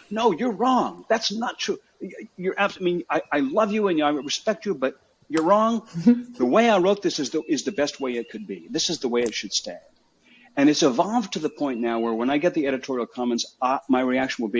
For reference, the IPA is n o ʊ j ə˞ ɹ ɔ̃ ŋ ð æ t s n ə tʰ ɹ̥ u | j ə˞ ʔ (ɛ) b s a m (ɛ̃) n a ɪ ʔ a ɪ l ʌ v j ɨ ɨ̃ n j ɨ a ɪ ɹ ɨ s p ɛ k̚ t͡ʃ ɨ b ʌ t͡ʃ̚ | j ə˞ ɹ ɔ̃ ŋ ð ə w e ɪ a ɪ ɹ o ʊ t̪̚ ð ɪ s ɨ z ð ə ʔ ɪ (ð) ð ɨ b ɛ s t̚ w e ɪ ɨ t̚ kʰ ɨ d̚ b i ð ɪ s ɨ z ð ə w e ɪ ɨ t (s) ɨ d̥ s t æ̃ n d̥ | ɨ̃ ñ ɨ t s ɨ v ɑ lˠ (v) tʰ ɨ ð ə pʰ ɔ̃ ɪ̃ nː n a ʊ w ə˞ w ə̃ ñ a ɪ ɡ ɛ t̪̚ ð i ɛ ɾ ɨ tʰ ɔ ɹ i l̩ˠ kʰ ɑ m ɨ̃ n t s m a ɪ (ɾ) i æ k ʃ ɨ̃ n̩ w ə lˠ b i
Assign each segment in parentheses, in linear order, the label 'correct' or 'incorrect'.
incorrect: æ, incorrect: ĩ, incorrect: z, incorrect: ʃ, correct, incorrect: ɹ

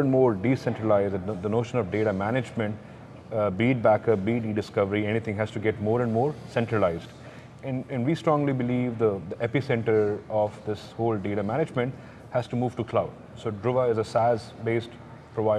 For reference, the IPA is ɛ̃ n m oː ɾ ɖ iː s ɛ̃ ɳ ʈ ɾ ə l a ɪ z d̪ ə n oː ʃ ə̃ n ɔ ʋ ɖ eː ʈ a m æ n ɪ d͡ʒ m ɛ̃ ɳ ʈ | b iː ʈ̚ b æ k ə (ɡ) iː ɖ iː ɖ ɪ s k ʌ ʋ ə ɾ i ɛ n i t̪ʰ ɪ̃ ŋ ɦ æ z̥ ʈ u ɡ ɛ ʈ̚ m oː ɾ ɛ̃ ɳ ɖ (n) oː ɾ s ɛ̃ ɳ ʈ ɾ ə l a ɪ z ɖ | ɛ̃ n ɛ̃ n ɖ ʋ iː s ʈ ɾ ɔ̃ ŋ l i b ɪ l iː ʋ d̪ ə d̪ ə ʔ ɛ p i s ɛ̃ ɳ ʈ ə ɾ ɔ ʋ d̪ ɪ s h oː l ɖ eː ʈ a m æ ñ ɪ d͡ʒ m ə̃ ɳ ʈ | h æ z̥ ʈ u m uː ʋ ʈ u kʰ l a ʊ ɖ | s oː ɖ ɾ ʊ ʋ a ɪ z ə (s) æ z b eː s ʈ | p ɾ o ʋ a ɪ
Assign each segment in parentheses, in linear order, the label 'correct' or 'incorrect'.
incorrect: b, incorrect: m, correct

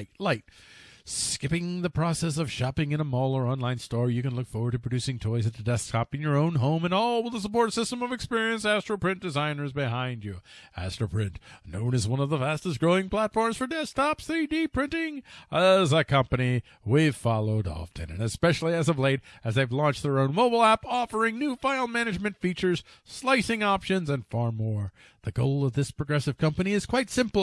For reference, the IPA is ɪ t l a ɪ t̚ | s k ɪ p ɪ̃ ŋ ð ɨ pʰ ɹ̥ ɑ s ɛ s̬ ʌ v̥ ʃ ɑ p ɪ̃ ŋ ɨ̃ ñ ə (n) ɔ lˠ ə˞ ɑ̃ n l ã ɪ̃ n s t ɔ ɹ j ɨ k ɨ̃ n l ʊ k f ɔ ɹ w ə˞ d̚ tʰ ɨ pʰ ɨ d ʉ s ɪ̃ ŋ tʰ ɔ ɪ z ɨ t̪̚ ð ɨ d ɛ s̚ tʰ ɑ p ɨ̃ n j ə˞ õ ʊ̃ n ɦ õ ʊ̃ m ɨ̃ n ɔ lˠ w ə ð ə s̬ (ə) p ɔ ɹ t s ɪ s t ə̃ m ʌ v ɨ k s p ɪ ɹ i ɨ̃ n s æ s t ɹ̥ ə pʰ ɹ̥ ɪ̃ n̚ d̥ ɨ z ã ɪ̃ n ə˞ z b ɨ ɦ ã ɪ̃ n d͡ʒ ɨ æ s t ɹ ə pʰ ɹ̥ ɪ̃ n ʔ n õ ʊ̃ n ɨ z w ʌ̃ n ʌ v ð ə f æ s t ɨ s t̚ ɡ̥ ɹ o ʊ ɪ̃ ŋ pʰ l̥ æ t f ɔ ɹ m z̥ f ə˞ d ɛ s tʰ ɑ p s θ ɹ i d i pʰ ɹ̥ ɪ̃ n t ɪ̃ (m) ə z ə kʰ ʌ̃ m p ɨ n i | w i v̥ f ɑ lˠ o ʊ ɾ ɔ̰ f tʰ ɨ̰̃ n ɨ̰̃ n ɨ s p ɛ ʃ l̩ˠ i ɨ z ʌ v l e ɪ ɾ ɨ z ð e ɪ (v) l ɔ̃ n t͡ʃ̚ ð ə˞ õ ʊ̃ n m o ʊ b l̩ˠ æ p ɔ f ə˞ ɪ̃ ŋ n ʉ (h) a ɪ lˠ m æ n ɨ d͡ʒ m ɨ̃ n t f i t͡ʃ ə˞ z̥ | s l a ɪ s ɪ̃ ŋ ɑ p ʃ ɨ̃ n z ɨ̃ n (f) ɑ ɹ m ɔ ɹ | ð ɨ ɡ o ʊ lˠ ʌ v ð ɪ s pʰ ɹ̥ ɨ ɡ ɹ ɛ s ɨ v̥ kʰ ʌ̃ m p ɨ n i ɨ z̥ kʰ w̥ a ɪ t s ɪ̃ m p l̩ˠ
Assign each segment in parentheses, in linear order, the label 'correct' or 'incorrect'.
incorrect: m, correct, incorrect: ŋ, correct, incorrect: f, correct

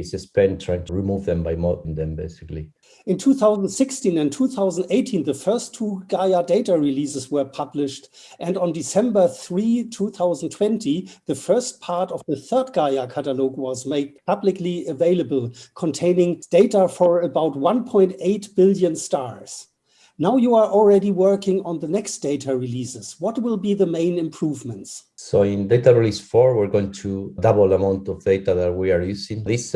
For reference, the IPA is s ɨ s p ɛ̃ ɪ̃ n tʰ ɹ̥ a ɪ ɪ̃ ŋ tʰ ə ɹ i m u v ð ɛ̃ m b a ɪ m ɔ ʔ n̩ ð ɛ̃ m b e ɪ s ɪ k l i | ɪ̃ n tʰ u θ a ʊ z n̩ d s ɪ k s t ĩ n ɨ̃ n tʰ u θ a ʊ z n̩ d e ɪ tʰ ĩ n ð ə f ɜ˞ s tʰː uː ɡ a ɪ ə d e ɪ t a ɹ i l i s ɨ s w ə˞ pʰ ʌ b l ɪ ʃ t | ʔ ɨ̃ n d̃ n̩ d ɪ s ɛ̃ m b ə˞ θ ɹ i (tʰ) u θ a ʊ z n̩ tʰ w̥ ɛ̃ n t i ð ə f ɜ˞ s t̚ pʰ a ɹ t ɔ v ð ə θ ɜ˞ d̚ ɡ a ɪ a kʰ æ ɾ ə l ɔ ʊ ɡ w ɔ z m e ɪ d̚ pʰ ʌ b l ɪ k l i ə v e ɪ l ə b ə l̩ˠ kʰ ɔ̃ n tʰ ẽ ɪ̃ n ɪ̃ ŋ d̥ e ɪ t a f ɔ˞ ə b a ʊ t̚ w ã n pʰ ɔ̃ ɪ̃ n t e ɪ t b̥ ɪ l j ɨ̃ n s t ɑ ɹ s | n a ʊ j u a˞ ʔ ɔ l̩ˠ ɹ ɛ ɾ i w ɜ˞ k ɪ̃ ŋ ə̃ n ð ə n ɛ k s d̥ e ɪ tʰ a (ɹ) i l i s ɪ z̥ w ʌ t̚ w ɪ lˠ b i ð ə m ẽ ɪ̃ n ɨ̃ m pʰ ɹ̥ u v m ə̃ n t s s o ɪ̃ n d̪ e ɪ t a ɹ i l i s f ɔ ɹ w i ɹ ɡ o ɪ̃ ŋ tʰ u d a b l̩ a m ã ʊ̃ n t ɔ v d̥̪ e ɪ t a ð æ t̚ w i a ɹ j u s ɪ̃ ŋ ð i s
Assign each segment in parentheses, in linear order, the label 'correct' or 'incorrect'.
correct, correct

